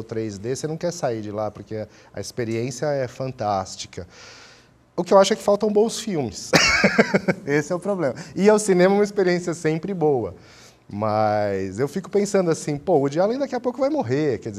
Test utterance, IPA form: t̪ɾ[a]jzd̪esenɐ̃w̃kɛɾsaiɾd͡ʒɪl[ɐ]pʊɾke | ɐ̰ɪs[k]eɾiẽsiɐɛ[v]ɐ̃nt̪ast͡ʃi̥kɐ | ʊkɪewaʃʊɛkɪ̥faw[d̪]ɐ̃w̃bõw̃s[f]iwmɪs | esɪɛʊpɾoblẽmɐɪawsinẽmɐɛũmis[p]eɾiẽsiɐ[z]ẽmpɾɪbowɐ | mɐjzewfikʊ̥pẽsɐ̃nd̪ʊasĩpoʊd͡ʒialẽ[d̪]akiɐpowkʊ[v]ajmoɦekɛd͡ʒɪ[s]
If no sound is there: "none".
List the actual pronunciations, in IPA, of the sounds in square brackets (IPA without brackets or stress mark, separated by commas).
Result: e, a, p, f, t̪, f, p, s, d̪, v, z